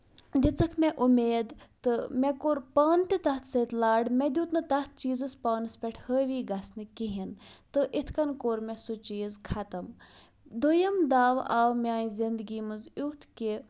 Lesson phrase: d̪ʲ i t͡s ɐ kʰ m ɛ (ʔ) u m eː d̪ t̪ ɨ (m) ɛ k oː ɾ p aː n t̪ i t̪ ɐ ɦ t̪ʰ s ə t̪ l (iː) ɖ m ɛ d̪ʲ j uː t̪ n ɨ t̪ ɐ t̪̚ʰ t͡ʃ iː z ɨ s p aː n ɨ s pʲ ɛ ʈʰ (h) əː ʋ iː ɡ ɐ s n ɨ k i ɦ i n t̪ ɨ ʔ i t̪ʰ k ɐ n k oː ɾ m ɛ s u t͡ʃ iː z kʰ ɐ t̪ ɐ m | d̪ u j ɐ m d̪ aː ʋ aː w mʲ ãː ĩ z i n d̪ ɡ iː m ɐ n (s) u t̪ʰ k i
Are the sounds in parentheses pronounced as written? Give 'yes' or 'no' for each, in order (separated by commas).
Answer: yes, yes, no, yes, no